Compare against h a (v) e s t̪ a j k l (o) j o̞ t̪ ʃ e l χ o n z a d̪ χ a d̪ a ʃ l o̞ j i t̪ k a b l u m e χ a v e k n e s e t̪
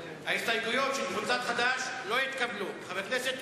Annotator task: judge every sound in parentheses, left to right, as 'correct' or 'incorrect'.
incorrect: none, incorrect: u

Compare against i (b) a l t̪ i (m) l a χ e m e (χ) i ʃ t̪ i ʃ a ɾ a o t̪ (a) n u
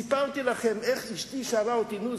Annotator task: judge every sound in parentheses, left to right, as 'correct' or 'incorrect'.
incorrect: p, incorrect: none, correct, incorrect: i

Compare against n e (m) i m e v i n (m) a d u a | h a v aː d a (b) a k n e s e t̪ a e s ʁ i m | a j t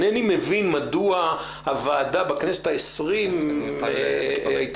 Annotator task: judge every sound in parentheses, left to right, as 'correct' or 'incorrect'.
incorrect: n, correct, correct

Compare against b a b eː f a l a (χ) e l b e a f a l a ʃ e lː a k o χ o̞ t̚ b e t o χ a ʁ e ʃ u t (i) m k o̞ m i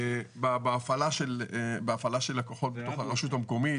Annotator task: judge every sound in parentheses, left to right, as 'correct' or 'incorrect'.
incorrect: ʃ, incorrect: a

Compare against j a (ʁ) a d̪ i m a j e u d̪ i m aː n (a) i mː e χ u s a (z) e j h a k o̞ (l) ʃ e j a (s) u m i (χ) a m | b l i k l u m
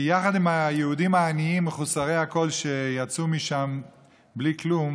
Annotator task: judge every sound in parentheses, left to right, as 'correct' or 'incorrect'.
incorrect: χ, incorrect: i, incorrect: ʁ, correct, incorrect: t͡s, incorrect: ʃ

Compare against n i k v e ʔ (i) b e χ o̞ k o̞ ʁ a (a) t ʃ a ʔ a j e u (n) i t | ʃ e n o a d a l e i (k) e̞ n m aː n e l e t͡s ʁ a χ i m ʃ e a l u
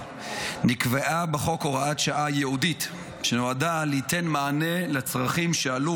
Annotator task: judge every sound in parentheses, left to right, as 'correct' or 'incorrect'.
incorrect: a, correct, incorrect: d, incorrect: t

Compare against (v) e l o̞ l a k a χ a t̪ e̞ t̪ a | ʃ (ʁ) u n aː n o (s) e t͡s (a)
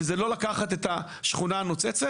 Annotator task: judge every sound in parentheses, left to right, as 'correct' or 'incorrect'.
incorrect: z, incorrect: χ, incorrect: t͡s, incorrect: e

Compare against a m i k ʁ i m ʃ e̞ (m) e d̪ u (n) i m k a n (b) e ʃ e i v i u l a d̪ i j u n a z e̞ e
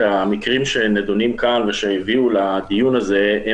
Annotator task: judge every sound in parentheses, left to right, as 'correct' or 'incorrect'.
incorrect: n, correct, incorrect: v

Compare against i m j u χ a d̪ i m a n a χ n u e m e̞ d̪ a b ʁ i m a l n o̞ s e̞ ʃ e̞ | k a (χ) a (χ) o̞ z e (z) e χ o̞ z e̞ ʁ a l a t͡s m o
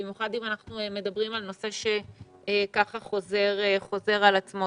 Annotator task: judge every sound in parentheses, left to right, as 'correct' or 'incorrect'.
correct, correct, incorrect: ʁ

